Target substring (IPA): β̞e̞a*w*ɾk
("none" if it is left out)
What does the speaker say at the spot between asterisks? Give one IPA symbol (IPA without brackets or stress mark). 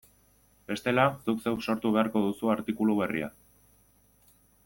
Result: none